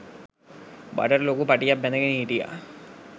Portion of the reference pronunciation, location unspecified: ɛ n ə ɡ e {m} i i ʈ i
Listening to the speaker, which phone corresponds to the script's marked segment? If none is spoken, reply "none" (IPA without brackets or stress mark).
n